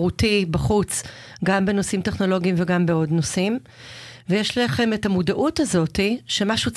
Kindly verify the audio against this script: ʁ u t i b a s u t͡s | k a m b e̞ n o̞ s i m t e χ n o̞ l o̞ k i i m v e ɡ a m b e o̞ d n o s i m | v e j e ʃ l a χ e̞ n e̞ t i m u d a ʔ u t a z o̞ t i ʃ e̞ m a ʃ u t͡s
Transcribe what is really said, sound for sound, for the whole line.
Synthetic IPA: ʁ u t i b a χ u t͡s | ɡ a m b e̞ n o̞ s i m t e χ n o̞ l o̞ ɡ i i m v e ɡ a m b e o̞ d n o s i m | v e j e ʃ l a χ e̞ m e̞ t a m u d a ʔ u t a z o̞ t i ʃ e̞ m a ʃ u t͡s